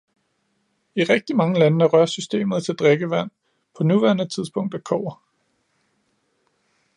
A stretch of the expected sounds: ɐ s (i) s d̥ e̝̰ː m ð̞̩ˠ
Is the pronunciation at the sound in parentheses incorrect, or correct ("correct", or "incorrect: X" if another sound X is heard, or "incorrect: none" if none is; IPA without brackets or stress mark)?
incorrect: y